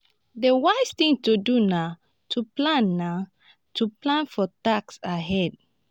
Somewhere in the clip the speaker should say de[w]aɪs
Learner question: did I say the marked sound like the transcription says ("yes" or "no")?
yes